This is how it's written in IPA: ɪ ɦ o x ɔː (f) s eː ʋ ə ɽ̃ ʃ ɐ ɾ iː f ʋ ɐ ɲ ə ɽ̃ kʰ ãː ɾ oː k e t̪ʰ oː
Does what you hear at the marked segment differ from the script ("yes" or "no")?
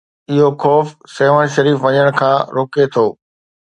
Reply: no